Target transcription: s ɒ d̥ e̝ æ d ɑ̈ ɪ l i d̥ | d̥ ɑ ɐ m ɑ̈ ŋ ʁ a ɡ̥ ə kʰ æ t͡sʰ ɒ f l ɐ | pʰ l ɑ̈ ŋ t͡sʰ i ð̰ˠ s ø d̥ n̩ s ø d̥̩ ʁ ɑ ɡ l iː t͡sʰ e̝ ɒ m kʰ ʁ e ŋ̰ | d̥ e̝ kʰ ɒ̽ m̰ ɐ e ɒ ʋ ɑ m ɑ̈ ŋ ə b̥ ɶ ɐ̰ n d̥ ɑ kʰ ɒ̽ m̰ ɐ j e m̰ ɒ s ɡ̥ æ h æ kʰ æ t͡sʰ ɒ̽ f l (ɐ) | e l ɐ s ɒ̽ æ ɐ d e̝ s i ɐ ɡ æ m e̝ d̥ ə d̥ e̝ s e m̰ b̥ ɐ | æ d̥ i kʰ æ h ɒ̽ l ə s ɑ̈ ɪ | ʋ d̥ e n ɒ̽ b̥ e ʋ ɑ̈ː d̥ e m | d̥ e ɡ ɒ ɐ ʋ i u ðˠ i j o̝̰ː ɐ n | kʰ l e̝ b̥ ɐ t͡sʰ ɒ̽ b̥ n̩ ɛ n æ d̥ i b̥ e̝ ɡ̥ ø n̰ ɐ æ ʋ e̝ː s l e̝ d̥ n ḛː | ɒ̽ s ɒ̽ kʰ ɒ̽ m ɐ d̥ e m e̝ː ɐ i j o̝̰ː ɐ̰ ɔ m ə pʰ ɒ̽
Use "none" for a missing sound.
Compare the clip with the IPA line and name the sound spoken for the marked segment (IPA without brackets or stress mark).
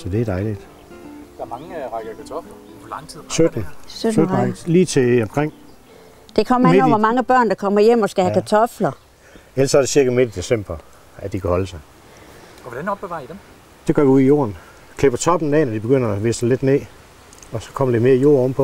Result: ɐ